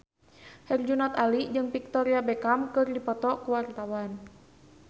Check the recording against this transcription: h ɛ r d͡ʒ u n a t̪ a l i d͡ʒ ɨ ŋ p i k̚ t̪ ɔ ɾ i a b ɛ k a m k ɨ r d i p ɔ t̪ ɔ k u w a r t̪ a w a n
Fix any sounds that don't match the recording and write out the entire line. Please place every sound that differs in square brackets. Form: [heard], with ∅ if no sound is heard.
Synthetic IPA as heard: h ɛ r d͡ʒ u n a t̪ a l i d͡ʒ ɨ ŋ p i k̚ t̪ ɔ ɾ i a b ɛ k a m k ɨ r d i p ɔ t̪ ɔ k u w a r t̪ a w a n